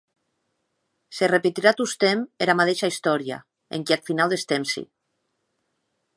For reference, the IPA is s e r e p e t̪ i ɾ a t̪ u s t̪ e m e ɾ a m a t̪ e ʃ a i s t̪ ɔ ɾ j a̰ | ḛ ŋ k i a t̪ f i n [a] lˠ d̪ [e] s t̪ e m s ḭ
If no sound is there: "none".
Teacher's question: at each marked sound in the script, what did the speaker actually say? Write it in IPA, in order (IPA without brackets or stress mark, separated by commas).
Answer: a, e